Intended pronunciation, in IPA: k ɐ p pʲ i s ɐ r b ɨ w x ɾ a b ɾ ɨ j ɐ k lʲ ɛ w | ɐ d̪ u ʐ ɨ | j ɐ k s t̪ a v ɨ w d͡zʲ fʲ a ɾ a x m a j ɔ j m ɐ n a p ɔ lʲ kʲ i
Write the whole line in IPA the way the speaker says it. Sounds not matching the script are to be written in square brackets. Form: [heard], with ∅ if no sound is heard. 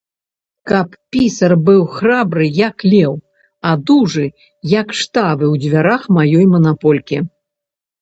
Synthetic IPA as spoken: k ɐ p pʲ i s ɐ r b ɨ w x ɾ a b ɾ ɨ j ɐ k lʲ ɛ w | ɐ d̪ u ʐ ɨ | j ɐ k [ʂ] t̪ a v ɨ w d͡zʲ [vʲ] a ɾ a x m a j ɔ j m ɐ n a p ɔ lʲ kʲ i

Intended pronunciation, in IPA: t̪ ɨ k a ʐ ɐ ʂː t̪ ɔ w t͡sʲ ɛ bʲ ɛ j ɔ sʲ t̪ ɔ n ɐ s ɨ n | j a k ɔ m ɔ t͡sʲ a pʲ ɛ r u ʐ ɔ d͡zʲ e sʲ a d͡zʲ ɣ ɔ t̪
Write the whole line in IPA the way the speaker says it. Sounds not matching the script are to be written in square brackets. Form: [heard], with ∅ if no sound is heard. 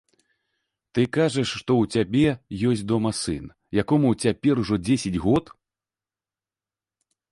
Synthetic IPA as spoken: t̪ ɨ k a ʐ ɐ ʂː t̪ ɔ w t͡sʲ [a] bʲ ɛ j ɔ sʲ [d̪] ɔ [m] ɐ s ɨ n | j a k ɔ m [u] t͡sʲ a pʲ ɛ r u ʐ ɔ d͡zʲ e sʲ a d͡zʲ ɣ ɔ t̪

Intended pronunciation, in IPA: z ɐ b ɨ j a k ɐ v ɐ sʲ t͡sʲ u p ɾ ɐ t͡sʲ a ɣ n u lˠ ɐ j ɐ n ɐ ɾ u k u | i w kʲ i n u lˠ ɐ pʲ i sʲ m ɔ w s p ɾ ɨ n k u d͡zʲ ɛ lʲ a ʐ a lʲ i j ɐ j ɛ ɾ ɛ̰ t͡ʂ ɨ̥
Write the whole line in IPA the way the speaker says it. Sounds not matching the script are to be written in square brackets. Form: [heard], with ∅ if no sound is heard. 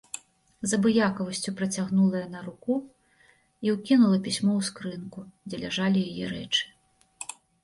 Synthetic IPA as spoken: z ɐ b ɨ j a k ɐ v ɐ sʲ t͡sʲ u p ɾ ɐ t͡sʲ a ɣ n u lˠ ɐ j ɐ n ɐ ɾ u k u | i w kʲ i n u lˠ ɐ pʲ i sʲ m ɔ w s [k] ɾ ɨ n k u d͡zʲ ɛ lʲ a ʐ a lʲ i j [a] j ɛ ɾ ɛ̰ t͡ʂ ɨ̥

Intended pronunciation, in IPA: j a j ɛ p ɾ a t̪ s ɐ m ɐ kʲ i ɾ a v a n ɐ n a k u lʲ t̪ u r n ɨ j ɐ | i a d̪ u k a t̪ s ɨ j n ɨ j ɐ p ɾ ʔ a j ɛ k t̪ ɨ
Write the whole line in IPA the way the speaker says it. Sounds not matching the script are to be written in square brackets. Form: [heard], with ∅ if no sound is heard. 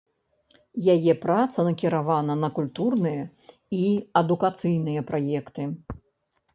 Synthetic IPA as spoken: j a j ɛ p ɾ a t̪ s ɐ [n] ɐ kʲ i ɾ a v a n ɐ n [ɐ] k u lʲ t̪ u r n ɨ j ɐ | i [ɐ] d̪ u k a t̪ s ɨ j n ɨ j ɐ p ɾ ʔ a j ɛ k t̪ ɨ

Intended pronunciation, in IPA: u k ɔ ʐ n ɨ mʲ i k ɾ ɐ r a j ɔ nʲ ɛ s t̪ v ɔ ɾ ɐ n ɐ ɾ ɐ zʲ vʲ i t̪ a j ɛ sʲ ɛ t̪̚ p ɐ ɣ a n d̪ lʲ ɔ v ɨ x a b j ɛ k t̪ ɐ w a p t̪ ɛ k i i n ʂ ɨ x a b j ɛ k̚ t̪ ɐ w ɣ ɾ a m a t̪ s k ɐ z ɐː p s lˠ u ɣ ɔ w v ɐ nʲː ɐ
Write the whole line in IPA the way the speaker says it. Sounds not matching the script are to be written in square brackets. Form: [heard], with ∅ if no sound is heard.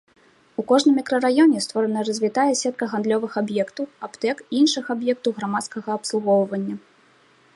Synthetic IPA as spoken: u k ɔ ʐ n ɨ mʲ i k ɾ ɐ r a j ɔ nʲ ɛ s t̪ v ɔ ɾ ɐ n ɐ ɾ ɐ zʲ vʲ i t̪ a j ɛ sʲ ɛ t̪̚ [k] ɐ ɣ a n d̪ lʲ ɔ v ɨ x a b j ɛ k t̪ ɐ w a p t̪ ɛ k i i n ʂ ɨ x a b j ɛ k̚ t̪ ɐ w ɣ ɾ a m a t̪ s k ɐ [ɣ] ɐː p s lˠ u ɣ ɔ w v ɐ nʲː ɐ

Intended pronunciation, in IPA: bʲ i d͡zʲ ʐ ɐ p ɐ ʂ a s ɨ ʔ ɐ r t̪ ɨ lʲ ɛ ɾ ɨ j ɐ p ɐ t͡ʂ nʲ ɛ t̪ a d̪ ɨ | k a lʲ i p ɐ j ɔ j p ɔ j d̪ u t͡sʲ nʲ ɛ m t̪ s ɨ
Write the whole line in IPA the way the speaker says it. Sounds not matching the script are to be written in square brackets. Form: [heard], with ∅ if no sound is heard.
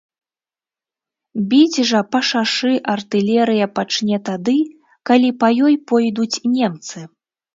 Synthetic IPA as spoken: bʲ i d͡zʲ ʐ ɐ p ɐ ʂ a [ʂ] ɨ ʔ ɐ r t̪ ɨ lʲ ɛ ɾ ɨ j ɐ p [a] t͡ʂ nʲ ɛ t̪ a d̪ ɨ | k a lʲ i p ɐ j ɔ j p ɔ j d̪ u t͡sʲ nʲ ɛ m t̪ s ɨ

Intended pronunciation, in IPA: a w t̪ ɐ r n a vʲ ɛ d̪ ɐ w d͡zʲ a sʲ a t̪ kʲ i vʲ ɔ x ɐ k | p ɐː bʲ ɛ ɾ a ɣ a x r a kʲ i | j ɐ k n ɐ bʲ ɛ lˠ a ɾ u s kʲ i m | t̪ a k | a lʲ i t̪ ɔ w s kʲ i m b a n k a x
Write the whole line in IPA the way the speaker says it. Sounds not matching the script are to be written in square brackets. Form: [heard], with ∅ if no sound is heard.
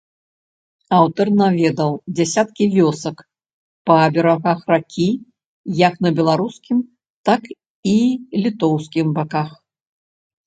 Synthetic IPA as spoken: a w t̪ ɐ r n a vʲ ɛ d̪ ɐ w d͡zʲ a sʲ a t̪ kʲ i vʲ ɔ [s] ɐ k | p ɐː bʲ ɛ ɾ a ɣ a x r a kʲ i | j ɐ k n ɐ bʲ ɛ lˠ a ɾ u s kʲ i m | t̪ a k | [i] lʲ i t̪ ɔ w s kʲ i m b a [∅] k a x

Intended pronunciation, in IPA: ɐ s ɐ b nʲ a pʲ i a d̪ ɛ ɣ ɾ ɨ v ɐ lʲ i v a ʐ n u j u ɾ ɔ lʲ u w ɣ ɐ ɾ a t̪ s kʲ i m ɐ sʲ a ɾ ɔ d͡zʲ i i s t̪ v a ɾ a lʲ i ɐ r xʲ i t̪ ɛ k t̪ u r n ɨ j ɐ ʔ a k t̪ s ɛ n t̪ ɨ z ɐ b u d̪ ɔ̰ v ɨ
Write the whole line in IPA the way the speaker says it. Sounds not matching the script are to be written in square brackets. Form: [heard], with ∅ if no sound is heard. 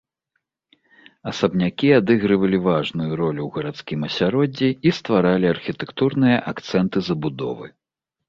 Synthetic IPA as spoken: ɐ s ɐ b nʲ a [kʲ] i a d̪ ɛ ɣ ɾ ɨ v ɐ lʲ i v a ʐ n u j u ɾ ɔ lʲ u w ɣ ɐ ɾ a t̪ s kʲ i m ɐ sʲ a ɾ ɔ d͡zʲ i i s t̪ v a ɾ a lʲ i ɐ r xʲ i t̪ ɛ k t̪ u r n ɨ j ɐ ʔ a k t̪ s ɛ n t̪ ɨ z ɐ b u d̪ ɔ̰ v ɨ

